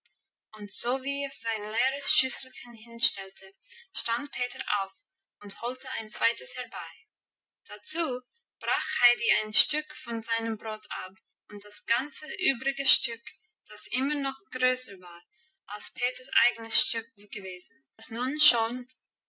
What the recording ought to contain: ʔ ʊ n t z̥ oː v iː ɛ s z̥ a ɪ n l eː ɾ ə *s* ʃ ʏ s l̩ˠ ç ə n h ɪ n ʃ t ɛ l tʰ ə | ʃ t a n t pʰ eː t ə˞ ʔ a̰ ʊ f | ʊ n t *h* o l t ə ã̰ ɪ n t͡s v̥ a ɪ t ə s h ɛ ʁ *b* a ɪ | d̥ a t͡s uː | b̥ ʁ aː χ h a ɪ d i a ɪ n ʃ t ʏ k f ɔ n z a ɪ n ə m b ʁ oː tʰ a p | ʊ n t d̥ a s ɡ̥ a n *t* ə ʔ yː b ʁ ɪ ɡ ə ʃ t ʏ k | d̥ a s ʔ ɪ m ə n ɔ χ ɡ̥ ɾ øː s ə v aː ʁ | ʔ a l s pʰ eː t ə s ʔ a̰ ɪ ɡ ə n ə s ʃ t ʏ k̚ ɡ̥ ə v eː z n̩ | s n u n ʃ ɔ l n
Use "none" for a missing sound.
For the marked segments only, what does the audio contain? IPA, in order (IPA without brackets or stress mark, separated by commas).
s, h, b, t͡s